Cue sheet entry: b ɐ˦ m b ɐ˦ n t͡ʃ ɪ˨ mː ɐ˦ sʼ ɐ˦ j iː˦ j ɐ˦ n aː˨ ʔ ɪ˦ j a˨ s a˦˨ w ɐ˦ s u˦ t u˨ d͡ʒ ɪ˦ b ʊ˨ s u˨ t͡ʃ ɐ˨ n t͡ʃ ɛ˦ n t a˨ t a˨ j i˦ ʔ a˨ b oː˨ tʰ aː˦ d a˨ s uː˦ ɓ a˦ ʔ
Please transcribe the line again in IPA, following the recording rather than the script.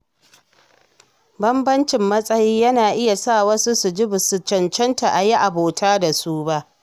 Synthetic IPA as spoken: b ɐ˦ m b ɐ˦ n t͡ʃ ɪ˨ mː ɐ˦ sʼ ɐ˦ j iː˦ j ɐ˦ n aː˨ ʔ ɪ˦ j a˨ s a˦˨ w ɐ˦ s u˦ s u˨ d͡ʒ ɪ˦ b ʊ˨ s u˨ t͡ʃ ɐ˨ n t͡ʃ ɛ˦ n t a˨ ʔ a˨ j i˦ ʔ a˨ b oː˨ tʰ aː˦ d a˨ s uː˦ b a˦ ʔ